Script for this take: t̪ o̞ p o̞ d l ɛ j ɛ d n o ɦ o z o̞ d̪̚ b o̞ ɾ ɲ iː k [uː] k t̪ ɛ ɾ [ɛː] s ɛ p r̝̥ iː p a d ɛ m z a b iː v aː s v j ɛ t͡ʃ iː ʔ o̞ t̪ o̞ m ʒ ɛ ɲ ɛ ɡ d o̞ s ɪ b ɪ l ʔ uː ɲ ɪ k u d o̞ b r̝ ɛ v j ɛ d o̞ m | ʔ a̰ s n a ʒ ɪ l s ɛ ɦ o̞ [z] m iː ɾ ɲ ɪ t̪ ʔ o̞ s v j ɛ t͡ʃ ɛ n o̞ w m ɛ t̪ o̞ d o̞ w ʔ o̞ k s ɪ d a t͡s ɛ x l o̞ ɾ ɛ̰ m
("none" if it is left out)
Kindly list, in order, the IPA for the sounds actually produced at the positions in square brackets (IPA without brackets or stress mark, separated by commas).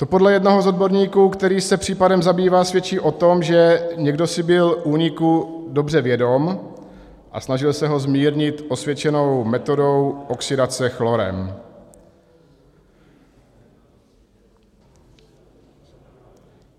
uː, iː, z